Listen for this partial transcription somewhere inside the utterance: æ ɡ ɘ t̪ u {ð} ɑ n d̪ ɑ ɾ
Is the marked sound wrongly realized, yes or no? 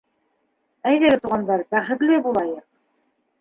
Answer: yes